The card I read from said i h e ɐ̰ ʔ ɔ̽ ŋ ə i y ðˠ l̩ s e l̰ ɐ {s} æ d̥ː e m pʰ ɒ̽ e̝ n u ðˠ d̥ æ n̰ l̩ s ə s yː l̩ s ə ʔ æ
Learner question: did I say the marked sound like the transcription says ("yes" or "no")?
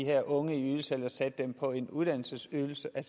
yes